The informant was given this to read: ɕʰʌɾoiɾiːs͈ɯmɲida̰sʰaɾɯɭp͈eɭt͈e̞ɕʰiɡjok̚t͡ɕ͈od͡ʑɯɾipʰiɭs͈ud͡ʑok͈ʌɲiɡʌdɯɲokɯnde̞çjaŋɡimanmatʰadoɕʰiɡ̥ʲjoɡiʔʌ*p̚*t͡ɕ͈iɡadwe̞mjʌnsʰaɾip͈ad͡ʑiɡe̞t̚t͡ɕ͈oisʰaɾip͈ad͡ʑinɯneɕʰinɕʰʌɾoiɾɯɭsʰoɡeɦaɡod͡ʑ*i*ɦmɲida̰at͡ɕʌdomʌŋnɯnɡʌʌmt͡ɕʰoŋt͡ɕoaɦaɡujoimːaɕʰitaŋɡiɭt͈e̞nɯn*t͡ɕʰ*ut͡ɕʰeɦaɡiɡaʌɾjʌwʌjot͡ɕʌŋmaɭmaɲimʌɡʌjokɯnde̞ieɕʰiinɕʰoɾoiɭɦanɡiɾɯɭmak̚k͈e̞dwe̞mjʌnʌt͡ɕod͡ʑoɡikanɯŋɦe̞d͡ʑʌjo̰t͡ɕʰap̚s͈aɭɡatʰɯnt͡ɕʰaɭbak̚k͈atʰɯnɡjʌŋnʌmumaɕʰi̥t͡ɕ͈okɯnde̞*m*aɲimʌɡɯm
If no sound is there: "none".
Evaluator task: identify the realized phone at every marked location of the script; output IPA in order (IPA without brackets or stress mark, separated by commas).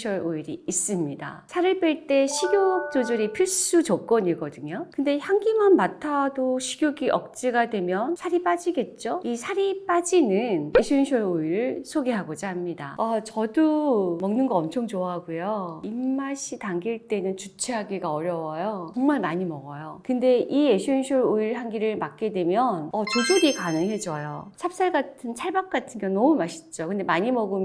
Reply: k̚, a, t͡ɕ, m